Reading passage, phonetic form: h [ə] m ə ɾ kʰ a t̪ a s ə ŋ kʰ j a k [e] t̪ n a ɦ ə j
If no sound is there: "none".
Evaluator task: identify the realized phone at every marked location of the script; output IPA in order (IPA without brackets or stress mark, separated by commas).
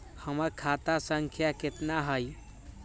ə, e